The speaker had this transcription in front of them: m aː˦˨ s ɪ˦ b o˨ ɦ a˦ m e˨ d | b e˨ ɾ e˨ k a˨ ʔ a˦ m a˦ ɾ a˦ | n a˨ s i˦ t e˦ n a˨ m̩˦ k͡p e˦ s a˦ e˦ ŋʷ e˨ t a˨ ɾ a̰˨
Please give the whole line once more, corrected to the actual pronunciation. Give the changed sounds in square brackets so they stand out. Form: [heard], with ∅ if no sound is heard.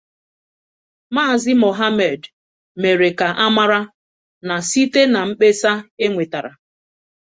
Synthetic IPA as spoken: m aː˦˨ [z] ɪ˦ [m] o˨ ɦ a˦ m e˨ d | [m] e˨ ɾ e˨ k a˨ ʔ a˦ m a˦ ɾ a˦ | n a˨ s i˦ t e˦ n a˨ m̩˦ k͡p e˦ s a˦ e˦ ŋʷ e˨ t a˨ ɾ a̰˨